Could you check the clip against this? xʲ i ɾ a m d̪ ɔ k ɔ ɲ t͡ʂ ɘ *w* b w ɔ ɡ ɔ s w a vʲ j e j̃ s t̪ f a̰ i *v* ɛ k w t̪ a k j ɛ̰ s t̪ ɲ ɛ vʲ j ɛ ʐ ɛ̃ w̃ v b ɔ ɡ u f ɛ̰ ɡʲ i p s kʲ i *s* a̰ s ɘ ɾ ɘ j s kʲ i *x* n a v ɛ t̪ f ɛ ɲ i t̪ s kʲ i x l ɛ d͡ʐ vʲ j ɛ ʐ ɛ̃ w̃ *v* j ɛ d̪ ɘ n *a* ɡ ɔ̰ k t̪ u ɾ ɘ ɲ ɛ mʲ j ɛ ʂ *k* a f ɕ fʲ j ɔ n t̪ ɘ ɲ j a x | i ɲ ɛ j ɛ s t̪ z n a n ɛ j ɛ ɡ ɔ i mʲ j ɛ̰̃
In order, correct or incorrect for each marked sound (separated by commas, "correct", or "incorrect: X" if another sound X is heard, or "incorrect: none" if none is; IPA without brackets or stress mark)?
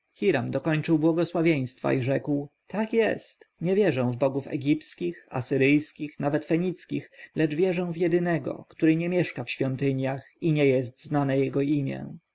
correct, incorrect: ʐ, incorrect: x, correct, correct, incorrect: ɛ, correct